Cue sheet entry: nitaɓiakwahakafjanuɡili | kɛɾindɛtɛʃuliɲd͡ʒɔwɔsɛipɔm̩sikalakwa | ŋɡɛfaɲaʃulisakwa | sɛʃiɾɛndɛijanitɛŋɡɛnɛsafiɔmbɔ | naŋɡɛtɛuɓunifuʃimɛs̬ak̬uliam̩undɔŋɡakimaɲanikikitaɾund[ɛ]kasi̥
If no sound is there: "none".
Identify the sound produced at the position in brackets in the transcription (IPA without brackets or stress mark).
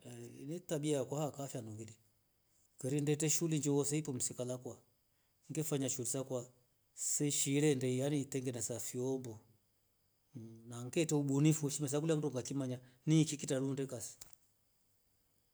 ɛ